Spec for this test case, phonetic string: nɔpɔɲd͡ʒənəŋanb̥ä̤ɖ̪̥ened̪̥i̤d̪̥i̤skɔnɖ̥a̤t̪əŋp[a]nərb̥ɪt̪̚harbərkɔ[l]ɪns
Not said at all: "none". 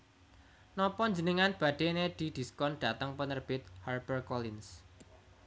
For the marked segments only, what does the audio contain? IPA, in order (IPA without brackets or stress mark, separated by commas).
ə, l